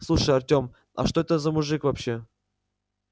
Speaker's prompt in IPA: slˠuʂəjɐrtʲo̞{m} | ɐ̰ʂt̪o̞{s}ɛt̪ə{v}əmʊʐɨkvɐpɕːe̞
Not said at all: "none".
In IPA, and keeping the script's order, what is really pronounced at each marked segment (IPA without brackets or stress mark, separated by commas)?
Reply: m, none, z